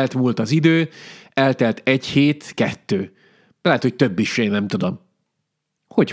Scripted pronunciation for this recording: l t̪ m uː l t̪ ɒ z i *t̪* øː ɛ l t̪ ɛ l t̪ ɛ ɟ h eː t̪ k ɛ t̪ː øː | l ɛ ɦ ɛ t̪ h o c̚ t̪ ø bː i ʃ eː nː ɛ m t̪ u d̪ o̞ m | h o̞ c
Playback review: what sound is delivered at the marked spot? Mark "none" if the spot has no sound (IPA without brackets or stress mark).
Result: d̪